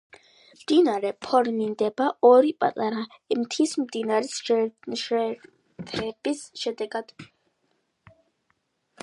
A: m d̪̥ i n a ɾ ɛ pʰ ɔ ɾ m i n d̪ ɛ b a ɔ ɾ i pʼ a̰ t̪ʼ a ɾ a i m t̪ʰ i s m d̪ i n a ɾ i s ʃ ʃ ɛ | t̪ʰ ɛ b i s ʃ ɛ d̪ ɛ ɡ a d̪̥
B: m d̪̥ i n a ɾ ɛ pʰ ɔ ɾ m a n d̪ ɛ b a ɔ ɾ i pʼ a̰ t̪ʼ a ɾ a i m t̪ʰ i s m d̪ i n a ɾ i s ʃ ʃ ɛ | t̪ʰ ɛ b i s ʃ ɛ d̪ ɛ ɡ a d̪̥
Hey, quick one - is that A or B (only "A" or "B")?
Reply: A